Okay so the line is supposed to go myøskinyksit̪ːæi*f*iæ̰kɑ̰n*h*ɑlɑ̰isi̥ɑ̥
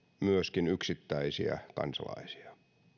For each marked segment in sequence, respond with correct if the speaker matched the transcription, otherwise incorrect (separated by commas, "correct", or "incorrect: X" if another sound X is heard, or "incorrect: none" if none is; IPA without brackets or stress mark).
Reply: incorrect: s, incorrect: s